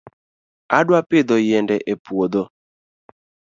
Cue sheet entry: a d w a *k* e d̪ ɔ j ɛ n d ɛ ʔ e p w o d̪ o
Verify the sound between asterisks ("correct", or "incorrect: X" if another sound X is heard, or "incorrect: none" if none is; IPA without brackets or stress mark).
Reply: incorrect: p